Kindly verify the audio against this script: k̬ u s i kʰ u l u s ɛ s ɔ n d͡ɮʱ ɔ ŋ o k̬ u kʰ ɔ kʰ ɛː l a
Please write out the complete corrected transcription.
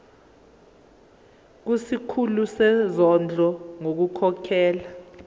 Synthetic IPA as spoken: k̬ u s i kʰ u l u s ɛ z ɔ n d͡ɮʱ ɔ ŋ o k̬ u kʰ ɔ kʰ ɛː l a